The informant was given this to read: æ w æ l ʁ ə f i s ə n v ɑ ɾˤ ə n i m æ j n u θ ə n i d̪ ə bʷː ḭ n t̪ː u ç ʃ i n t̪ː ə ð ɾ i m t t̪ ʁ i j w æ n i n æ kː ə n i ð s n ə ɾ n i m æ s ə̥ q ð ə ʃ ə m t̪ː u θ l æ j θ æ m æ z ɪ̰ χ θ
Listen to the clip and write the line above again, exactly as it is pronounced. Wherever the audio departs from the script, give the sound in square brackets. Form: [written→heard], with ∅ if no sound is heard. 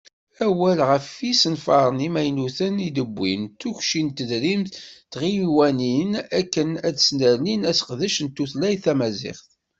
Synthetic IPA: æ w æ l ʁ ə f i s ə n [v→f] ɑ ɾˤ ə n i m æ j n u θ ə n i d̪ ə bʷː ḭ n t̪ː u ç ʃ i n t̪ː ə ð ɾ i m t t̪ ʁ i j w æ n i n æ kː ə n [i→æ] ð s n ə ɾ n i [m→n] æ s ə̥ q ð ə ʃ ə [m→n] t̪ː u θ l æ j θ æ m æ z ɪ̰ χ θ